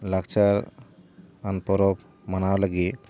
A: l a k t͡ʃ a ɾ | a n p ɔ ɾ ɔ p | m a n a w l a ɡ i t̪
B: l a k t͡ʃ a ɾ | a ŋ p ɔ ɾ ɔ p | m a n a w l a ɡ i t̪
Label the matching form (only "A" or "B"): A